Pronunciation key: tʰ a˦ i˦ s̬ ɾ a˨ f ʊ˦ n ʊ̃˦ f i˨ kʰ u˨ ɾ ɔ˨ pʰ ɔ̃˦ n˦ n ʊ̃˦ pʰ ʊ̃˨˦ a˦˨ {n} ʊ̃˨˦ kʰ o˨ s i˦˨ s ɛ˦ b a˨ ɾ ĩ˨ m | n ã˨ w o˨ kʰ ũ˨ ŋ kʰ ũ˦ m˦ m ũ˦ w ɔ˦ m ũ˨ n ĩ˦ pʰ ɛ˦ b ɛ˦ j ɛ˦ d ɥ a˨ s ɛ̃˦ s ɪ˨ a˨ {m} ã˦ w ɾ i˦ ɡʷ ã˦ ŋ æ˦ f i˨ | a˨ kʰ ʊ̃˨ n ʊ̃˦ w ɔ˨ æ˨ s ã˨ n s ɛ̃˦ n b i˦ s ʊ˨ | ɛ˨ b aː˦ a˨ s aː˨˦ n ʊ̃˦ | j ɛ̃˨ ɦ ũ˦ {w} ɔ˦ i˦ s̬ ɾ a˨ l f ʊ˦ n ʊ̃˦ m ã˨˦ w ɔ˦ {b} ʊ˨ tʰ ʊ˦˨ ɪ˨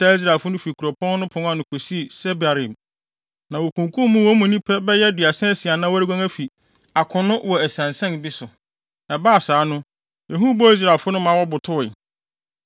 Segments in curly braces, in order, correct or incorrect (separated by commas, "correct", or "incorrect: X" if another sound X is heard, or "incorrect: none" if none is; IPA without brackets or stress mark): correct, incorrect: n, incorrect: b, correct